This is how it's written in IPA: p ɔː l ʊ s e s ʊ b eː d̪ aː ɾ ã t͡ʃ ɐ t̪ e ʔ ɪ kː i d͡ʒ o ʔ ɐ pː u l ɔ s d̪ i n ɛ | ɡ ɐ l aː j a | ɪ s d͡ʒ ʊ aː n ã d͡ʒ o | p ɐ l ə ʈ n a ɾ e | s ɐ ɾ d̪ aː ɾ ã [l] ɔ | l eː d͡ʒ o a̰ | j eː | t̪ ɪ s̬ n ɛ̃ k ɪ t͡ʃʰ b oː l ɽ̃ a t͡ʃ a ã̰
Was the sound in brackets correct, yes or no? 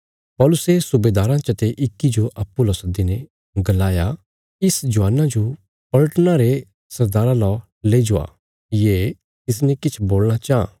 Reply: yes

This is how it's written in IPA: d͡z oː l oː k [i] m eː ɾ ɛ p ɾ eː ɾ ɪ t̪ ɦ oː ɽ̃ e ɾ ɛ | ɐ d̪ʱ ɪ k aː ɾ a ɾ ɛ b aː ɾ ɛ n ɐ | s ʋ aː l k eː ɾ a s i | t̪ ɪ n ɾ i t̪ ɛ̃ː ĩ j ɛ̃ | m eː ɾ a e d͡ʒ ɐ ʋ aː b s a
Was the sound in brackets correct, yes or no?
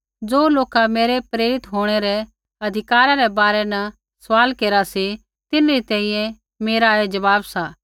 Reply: no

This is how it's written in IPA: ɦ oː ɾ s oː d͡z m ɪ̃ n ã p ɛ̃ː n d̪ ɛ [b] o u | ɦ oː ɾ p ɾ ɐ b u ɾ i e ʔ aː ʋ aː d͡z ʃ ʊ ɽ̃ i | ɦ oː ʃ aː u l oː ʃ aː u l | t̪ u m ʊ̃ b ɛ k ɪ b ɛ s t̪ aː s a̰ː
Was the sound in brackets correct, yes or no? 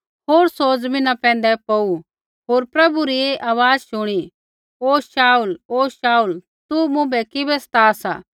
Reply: no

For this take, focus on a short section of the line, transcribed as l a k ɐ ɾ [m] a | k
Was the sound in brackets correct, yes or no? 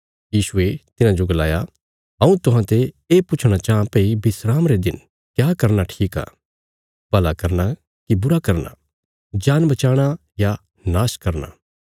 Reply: no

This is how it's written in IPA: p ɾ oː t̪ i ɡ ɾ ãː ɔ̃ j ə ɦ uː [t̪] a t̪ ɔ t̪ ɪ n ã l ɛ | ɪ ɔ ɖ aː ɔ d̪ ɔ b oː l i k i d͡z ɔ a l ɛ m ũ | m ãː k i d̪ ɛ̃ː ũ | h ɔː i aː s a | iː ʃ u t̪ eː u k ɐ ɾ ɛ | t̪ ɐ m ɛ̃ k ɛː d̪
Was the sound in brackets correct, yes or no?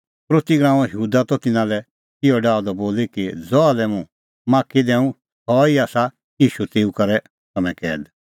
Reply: no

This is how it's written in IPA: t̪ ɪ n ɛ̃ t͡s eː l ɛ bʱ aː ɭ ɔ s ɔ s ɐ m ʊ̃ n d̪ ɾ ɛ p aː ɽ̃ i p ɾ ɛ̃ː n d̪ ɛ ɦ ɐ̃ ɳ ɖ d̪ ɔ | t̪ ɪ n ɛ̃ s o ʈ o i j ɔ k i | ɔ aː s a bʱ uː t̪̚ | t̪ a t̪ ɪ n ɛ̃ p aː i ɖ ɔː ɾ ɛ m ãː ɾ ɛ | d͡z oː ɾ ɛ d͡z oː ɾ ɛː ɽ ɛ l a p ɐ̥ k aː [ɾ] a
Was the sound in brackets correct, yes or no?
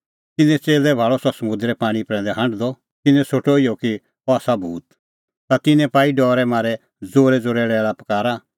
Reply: yes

